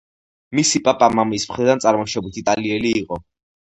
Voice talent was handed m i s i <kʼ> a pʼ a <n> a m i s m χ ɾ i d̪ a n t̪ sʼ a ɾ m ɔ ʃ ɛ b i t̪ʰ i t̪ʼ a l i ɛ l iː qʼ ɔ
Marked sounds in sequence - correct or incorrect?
incorrect, incorrect

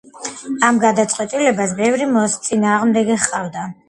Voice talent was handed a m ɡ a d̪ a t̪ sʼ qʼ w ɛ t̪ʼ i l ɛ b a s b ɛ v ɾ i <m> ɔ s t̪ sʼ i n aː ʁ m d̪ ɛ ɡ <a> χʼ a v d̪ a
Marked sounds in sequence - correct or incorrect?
correct, incorrect

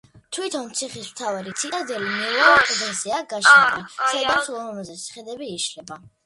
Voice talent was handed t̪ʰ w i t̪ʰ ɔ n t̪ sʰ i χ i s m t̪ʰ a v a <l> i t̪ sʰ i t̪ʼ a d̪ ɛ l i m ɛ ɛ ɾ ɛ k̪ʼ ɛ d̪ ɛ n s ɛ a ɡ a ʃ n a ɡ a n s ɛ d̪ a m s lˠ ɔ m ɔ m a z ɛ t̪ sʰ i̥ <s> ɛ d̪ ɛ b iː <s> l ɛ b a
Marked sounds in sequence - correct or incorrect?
incorrect, incorrect, incorrect

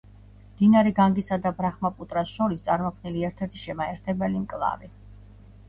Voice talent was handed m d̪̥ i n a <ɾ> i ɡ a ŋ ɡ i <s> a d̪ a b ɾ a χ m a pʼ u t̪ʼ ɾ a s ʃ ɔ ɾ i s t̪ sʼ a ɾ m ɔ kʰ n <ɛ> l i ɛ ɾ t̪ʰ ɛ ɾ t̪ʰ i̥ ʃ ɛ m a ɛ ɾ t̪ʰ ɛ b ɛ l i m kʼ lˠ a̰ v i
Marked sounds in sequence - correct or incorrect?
correct, correct, incorrect

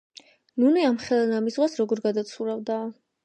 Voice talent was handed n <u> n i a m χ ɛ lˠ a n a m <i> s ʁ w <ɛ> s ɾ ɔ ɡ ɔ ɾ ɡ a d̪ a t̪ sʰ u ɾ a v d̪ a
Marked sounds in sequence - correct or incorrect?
correct, correct, incorrect

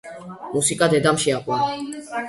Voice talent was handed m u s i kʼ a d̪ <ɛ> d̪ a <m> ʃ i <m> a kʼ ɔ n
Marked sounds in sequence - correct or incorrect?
correct, correct, incorrect

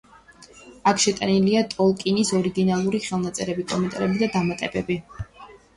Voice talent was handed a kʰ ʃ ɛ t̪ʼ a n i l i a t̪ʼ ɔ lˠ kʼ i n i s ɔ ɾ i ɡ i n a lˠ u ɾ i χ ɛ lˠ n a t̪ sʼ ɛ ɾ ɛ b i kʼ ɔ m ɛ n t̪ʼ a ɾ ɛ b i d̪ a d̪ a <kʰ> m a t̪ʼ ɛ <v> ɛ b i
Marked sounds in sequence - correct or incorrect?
incorrect, incorrect

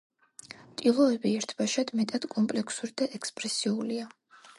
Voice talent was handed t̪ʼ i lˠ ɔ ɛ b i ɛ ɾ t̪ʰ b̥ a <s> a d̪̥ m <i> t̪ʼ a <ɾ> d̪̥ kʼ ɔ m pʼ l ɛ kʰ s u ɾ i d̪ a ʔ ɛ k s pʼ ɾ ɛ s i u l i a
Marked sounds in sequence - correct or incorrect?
incorrect, incorrect, incorrect

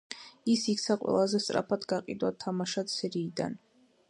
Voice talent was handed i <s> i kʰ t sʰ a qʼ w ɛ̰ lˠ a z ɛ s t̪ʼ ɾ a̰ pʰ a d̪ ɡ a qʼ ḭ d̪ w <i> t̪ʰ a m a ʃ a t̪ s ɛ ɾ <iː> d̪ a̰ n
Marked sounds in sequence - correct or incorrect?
correct, incorrect, correct

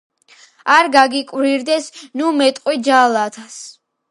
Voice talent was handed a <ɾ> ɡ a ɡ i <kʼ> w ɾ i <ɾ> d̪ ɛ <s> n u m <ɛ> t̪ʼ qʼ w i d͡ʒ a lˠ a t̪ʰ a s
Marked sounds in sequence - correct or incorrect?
correct, correct, correct, correct, correct

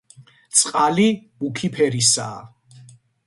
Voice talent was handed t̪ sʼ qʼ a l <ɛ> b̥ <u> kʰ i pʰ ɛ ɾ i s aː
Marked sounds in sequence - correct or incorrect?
incorrect, correct

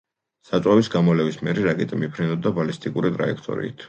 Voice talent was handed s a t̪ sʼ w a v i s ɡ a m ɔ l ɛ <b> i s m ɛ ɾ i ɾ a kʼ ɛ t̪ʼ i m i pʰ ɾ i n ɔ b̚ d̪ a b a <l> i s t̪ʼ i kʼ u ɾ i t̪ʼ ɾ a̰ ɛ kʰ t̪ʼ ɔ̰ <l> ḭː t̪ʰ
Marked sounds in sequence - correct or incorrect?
incorrect, correct, incorrect

